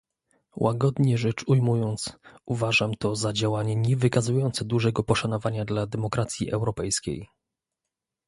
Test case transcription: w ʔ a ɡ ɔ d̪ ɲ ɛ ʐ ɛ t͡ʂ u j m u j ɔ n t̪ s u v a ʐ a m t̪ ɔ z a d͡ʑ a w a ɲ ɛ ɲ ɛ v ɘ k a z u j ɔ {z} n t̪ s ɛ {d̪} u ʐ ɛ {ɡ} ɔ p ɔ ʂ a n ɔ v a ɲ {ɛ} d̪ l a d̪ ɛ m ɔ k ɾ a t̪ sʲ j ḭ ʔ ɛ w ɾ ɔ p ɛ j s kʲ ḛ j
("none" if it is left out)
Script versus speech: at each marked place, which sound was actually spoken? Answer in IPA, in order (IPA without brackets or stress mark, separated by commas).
none, d̪, ɡ, a